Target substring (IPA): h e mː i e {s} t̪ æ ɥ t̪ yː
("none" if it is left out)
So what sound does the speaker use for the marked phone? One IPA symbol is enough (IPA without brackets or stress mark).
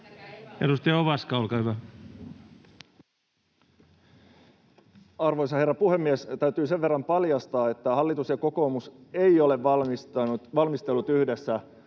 s